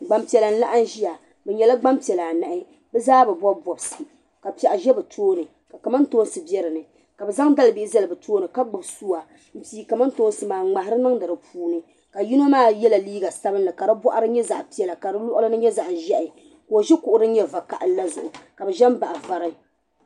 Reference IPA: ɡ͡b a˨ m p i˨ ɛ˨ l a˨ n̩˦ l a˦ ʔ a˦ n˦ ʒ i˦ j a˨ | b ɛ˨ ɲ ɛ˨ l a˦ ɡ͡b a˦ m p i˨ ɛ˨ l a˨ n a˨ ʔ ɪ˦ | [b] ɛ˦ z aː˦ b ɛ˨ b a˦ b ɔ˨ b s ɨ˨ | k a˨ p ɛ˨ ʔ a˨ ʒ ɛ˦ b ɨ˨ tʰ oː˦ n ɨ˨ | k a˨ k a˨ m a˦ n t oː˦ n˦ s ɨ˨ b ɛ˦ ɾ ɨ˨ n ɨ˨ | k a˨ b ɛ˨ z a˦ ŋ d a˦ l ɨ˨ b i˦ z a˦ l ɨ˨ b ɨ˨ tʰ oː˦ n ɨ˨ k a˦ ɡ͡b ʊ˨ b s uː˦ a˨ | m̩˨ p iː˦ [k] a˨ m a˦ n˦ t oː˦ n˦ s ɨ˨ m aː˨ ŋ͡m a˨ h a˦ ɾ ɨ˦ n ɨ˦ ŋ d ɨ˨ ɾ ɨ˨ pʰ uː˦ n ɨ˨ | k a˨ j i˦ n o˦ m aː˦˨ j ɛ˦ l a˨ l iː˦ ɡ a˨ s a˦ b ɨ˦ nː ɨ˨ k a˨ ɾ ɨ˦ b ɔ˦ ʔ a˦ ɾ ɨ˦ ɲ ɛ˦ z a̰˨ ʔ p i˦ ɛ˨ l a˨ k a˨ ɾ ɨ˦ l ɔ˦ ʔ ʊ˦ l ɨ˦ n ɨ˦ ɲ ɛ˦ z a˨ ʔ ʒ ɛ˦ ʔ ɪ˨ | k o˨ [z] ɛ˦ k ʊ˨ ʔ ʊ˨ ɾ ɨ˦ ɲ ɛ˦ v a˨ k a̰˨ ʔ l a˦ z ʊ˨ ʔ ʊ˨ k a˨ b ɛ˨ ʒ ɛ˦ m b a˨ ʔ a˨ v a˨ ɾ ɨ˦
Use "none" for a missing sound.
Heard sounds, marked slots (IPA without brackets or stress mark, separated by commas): b, k, ʒ